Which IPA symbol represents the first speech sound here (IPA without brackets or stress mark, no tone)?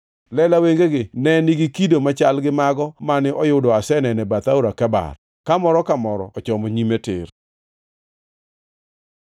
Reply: l